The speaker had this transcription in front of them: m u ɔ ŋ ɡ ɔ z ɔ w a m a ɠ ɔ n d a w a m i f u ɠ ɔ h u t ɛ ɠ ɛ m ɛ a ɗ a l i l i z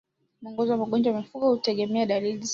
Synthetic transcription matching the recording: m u ɔ ŋ ɡ ɔ z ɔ w a m a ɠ ɔ n d͡ʒ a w a m i f u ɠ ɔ h u t ɛ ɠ ɛ m ɛ a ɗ a l i l i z